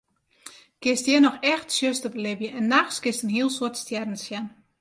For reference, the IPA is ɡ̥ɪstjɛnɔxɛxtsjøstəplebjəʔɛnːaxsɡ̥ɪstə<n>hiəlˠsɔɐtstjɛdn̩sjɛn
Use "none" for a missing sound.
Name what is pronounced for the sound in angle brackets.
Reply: n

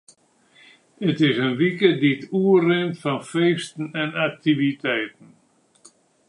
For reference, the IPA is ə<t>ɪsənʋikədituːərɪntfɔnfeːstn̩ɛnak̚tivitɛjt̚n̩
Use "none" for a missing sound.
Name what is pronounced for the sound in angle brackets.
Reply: t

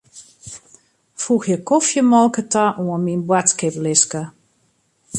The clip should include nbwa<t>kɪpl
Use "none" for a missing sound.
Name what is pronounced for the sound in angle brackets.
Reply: t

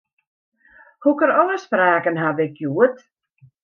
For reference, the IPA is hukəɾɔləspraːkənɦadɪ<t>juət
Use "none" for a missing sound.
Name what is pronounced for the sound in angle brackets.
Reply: k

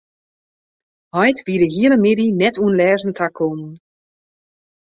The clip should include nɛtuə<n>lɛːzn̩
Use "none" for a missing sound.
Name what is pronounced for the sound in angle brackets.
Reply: n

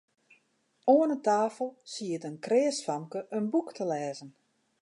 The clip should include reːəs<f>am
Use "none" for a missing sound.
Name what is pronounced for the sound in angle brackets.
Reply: f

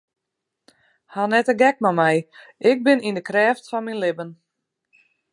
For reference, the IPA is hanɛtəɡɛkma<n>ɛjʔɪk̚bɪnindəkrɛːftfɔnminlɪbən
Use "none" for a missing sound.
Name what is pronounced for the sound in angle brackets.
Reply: m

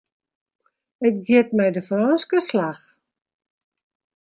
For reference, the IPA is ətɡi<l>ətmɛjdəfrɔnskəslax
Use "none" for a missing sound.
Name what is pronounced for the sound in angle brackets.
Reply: none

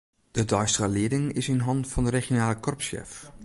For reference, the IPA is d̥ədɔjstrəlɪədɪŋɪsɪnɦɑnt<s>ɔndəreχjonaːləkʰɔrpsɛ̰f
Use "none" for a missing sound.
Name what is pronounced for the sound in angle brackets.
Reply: f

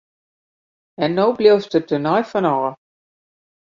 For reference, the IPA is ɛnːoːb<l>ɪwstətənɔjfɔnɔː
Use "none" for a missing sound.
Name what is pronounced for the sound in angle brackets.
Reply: l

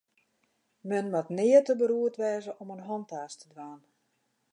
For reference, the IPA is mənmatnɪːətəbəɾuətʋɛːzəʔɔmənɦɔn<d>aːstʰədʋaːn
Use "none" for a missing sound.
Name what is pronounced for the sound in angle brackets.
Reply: t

